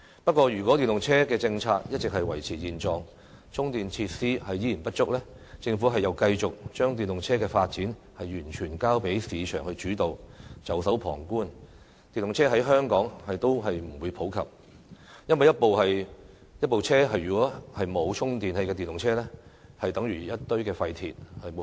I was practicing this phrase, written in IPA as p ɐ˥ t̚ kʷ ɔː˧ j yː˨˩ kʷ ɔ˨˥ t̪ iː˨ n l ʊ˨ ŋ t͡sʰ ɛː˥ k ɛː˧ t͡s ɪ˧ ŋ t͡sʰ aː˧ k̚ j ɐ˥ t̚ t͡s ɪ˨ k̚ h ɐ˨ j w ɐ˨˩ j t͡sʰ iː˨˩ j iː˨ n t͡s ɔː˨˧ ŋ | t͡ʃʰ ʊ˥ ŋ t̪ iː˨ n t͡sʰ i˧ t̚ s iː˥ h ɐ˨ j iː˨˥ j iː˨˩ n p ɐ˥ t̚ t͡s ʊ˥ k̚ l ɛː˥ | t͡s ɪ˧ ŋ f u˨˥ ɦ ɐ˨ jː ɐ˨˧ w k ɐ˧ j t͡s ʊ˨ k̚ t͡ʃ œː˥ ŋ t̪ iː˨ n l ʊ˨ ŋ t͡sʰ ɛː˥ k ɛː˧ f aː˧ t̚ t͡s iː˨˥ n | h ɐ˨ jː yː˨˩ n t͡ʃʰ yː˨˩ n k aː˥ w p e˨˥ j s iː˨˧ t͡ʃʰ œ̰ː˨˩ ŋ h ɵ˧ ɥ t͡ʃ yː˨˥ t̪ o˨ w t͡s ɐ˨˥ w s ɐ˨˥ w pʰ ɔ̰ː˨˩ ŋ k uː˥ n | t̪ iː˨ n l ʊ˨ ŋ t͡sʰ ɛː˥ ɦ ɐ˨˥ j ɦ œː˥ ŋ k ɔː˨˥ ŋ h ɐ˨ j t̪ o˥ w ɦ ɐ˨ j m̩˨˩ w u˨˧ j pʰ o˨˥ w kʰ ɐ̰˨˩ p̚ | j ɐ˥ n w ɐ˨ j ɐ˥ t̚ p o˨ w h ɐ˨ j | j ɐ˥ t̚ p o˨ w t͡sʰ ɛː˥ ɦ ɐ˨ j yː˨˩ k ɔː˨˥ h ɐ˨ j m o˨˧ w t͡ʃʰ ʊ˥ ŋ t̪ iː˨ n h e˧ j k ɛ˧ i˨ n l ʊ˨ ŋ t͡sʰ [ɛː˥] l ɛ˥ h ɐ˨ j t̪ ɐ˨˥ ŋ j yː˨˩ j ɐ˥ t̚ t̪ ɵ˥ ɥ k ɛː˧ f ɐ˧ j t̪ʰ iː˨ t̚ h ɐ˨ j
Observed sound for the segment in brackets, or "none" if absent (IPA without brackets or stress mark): ɛː˥